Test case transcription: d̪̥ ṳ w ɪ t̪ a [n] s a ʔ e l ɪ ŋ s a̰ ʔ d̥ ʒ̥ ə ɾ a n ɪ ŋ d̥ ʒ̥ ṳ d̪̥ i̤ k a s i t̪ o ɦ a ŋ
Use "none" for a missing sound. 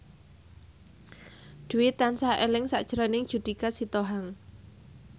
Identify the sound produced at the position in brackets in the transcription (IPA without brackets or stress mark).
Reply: n